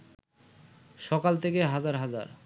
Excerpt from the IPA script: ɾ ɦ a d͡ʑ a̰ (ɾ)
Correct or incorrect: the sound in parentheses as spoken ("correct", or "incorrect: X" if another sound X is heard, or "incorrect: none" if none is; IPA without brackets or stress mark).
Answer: correct